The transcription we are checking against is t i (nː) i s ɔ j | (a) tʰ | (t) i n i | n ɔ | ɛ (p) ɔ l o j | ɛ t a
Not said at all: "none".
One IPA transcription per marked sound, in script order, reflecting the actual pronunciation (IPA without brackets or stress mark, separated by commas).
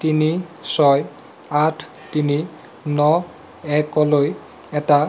n, a, t, k